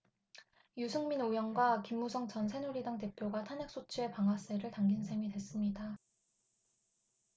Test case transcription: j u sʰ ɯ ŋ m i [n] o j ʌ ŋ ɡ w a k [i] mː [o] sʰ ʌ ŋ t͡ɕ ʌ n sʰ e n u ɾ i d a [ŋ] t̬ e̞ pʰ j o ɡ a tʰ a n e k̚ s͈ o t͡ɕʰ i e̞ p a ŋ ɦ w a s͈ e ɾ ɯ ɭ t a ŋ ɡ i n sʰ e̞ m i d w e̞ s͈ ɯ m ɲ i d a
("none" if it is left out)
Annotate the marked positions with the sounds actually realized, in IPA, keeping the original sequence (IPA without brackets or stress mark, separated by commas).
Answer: n, i, u, ŋ